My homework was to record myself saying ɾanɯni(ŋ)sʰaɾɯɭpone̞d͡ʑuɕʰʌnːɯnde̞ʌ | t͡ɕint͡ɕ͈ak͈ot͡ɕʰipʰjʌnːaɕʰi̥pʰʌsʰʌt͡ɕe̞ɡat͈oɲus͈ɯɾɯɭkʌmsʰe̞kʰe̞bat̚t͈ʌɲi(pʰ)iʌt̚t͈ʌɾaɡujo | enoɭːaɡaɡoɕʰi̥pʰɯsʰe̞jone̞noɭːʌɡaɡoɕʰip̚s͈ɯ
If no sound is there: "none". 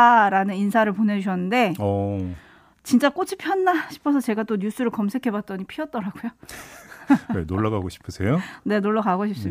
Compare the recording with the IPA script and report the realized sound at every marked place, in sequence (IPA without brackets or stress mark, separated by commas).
n, pʰ